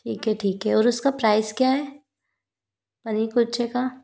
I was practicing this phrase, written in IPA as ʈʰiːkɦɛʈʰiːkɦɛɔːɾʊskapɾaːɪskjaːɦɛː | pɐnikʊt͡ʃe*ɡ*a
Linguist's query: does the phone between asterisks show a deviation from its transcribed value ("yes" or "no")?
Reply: yes